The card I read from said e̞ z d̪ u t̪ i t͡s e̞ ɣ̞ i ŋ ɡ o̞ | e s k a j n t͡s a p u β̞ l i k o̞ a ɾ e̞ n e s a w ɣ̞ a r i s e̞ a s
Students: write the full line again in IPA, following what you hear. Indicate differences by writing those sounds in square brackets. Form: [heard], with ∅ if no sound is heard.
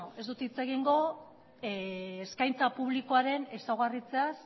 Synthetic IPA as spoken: e̞ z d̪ u t̪ i t͡s e̞ ɣ̞ i ŋ ɡ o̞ | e s k a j n t͡s a p u β̞ l i k o̞ a ɾ e̞ n e s a w ɣ̞ a r i [t͡s] e̞ a s